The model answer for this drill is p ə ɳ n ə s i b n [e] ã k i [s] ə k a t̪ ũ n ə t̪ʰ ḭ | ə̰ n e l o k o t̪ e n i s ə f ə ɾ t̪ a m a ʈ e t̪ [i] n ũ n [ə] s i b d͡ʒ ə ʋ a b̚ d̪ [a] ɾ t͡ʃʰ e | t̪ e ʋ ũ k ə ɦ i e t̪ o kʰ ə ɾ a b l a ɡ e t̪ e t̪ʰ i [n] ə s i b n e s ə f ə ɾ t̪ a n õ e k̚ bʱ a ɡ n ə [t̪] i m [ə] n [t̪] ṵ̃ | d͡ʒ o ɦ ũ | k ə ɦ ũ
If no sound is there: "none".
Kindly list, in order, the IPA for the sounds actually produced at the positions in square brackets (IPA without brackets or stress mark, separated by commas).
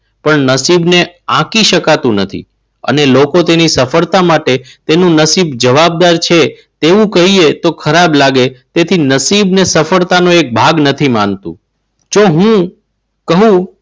e, ʃ, e, ə, a, n, t̪ʰ, a, t̪